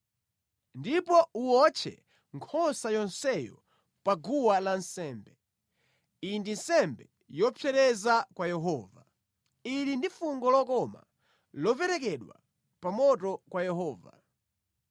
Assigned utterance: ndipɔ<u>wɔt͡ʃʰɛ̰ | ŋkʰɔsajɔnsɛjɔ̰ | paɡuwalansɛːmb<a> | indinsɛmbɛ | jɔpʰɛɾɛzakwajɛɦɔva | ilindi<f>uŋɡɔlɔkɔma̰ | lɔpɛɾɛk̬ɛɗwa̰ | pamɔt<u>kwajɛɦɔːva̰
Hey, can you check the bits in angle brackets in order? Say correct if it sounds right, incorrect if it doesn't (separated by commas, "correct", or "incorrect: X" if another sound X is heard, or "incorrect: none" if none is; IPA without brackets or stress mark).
correct, incorrect: ɛ, correct, incorrect: ɔ